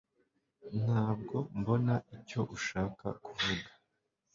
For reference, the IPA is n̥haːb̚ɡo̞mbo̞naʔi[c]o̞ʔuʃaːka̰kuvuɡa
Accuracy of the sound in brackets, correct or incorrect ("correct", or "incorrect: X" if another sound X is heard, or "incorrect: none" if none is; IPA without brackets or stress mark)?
correct